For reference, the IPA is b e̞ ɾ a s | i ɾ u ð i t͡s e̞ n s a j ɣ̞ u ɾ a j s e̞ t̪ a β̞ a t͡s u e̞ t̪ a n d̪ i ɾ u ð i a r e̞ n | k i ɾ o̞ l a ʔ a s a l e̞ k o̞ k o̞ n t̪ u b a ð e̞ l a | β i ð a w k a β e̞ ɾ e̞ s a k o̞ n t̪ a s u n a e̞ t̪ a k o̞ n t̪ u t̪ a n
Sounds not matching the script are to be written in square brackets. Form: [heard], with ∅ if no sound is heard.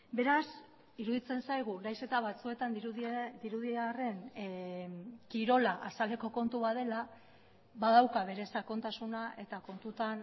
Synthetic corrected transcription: b e̞ ɾ a s | i ɾ u ð i t͡s e̞ n s a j ɣ̞ u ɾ a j s e̞ t̪ a β̞ a t͡s u e̞ t̪ a n d̪ i ɾ u ð i a r e̞ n | k i ɾ o̞ l a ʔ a s a l e̞ k o̞ k o̞ n t̪ u [β] a ð e̞ l a | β [a] ð a w k a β e̞ ɾ e̞ s a k o̞ n t̪ a s u n a e̞ t̪ a k o̞ n t̪ u t̪ a n